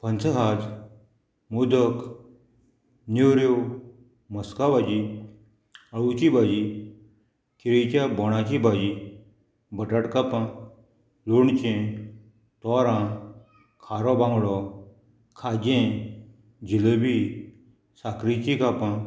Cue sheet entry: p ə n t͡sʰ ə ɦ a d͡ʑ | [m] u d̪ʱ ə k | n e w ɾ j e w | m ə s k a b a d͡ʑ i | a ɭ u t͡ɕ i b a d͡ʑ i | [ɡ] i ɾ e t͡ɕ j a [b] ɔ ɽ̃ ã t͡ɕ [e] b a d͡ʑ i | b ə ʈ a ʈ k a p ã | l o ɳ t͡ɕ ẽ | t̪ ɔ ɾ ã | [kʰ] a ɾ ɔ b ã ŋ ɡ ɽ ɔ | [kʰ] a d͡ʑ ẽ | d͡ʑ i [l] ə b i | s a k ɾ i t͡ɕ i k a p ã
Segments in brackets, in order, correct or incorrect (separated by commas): correct, incorrect, correct, incorrect, correct, correct, correct